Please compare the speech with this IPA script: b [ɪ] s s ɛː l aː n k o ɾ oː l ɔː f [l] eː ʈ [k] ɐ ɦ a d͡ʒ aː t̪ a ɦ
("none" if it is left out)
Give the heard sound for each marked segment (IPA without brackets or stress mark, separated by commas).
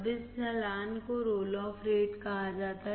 ɪ, ɾ, k